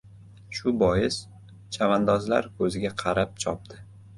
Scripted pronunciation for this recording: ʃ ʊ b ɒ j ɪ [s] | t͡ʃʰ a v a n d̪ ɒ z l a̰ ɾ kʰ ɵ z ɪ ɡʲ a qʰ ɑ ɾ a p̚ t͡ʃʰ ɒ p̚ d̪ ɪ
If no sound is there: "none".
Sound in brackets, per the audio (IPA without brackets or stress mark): s